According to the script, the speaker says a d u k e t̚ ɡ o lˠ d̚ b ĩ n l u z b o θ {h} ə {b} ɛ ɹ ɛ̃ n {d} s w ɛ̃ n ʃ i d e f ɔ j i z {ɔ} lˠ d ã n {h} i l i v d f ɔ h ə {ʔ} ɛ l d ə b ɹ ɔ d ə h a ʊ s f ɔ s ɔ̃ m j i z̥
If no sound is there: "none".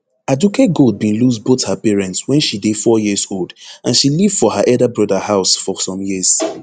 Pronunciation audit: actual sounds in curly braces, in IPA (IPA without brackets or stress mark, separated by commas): h, p, t, o, ʃ, ʔ